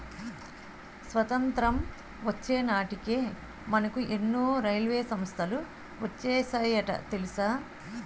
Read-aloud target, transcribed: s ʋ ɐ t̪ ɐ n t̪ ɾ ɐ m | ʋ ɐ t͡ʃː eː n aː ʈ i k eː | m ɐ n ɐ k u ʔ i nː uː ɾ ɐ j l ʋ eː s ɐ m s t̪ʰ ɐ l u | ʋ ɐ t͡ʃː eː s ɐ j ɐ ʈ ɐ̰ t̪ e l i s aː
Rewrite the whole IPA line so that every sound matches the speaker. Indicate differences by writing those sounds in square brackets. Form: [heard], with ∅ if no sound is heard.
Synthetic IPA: s ʋ ɐ t̪ ɐ n t̪ ɾ ɐ m | ʋ ɐ t͡ʃː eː n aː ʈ i k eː | m ɐ n ɐ k u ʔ [e] nː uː ɾ ɐ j l ʋ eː s ɐ m s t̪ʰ ɐ l u | ʋ ɐ t͡ʃː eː s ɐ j ɐ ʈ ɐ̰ t̪ e l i s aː